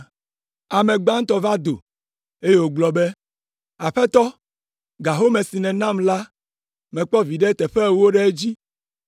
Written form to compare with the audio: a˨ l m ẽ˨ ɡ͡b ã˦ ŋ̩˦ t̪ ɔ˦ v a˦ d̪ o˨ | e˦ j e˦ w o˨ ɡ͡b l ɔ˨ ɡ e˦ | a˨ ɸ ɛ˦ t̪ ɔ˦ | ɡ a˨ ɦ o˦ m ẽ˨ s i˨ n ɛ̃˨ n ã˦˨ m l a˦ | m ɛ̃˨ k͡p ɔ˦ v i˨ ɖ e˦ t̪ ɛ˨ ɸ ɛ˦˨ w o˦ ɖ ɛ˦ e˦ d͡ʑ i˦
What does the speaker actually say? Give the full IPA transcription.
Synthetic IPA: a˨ m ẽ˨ ɡ͡b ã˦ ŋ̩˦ t̪ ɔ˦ v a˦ d̪ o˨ | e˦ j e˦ w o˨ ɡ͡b l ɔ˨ b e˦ | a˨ ɸ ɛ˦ t̪ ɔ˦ | ɡ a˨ ɦ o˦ m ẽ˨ s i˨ n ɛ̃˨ n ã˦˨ m l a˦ | m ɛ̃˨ k͡p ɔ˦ v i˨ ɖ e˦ t̪ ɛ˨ ɸ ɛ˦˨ w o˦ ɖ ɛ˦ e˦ d͡ʑ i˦